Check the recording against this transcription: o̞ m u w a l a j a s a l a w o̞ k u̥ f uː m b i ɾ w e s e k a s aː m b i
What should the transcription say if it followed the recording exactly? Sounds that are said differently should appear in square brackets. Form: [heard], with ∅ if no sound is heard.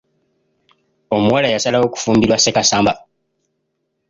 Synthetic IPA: o̞ m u w a l a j a s a l a w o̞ k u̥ f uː m b i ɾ w [a] s e k a s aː m b [a]